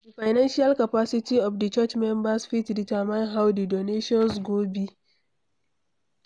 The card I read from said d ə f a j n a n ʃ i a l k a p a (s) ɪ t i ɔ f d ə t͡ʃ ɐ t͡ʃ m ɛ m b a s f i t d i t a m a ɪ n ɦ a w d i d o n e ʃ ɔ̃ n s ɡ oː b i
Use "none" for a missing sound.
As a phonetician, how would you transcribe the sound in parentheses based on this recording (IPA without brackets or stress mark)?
s